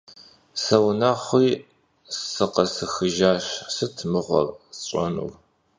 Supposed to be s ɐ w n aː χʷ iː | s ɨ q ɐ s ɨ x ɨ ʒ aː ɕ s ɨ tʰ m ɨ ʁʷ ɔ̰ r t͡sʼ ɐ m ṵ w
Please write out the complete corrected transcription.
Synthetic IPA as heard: s ɐ w n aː χʷ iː | s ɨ q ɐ s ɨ x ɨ ʒ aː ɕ s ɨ tʰ m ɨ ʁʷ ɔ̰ r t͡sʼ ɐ n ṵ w